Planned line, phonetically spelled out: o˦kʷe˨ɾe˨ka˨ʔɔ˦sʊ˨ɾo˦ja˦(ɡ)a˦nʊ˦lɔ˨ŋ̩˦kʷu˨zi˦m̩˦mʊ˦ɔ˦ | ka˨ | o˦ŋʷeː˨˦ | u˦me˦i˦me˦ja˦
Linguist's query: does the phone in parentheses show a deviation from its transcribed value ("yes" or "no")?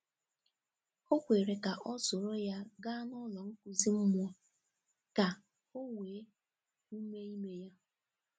no